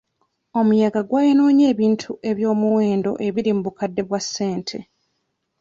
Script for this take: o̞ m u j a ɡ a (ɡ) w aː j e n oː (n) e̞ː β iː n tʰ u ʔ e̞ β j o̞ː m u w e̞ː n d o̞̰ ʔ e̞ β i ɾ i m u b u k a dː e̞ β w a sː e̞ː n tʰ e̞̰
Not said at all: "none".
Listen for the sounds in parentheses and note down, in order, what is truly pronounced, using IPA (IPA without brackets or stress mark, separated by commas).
ɡ, ɲ